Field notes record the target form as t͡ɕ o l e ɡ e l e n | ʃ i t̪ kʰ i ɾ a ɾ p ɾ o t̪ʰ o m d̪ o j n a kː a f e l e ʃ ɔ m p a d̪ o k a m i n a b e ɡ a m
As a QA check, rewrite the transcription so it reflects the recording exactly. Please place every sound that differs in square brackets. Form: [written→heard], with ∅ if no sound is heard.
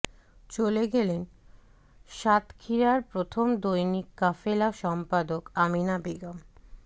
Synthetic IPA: t͡ɕ o l e ɡ e l e n | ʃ [i→a] t̪ kʰ i ɾ a ɾ p ɾ o t̪ʰ o m d̪ o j n [a→i] kː a f e l [e→a] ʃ ɔ m p a d̪ o k a m i n a b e ɡ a m

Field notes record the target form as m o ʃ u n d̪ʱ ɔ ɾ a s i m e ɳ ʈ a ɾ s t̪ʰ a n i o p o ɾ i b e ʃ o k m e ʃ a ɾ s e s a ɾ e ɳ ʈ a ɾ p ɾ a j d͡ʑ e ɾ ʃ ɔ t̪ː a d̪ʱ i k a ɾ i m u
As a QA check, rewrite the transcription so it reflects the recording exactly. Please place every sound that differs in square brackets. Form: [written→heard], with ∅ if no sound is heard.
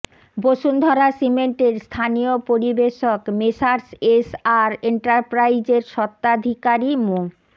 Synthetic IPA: [m→b] o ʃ u n d̪ʱ ɔ ɾ a s i m e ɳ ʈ [a→e] ɾ s t̪ʰ a n i o p o ɾ i b e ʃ o k m e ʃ a ɾ s e s a ɾ e ɳ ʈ a ɾ p ɾ a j d͡ʑ e ɾ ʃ ɔ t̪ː a d̪ʱ i k a ɾ i m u

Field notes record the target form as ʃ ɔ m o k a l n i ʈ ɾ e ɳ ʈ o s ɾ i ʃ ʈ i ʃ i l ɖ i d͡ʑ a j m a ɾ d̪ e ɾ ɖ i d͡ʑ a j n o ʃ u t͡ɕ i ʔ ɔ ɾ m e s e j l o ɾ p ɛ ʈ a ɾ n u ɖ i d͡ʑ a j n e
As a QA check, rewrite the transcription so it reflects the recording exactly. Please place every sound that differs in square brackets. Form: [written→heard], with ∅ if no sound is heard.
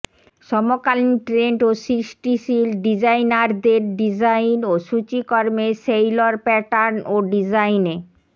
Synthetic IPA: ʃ ɔ m o k a l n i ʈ ɾ e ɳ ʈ o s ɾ i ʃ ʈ i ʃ i l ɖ i d͡ʑ a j [m→n] a ɾ d̪ e ɾ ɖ i d͡ʑ a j n o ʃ u t͡ɕ i [ʔ→k] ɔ ɾ m e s e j l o ɾ p ɛ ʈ a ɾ n [u→o] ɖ i d͡ʑ a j n e

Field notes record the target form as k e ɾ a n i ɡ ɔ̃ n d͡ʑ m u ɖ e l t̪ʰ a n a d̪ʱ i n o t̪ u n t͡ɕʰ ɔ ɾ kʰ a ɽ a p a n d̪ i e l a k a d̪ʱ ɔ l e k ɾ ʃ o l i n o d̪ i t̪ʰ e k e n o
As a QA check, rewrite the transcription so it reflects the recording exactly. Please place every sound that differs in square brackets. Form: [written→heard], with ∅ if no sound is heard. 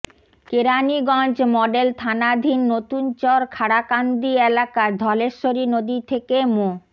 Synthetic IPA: k e ɾ a n i ɡ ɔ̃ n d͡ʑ m [u→ɔ] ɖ e l t̪ʰ a n a d̪ʱ i [n→nː] o t̪ u n [t͡ɕʰ→t͡ɕ] ɔ ɾ kʰ a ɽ a [p→k] a n d̪ i e l a k a d̪ʱ ɔ l e [k→∅] ɾ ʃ o [l→ɾ] i n o d̪ i t̪ʰ e k e [n→m] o

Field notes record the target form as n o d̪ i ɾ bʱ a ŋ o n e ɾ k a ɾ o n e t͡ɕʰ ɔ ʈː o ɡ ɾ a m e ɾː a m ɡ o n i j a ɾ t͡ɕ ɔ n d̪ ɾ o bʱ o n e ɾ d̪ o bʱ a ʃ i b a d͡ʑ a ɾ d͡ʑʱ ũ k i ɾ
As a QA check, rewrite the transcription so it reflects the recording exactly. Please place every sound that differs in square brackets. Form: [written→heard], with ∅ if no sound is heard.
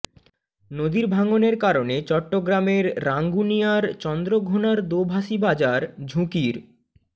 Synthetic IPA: n o d̪ i ɾ bʱ a ŋ o n e ɾ k a ɾ o n e [t͡ɕʰ→t͡ɕ] ɔ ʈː o ɡ ɾ a m e ɾː a [m→ŋ] ɡ [o→u] n i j a ɾ t͡ɕ ɔ n d̪ ɾ o [bʱ→ɡʱ] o n [e→a] ɾ d̪ o bʱ a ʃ i b a d͡ʑ a ɾ d͡ʑʱ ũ k i ɾ

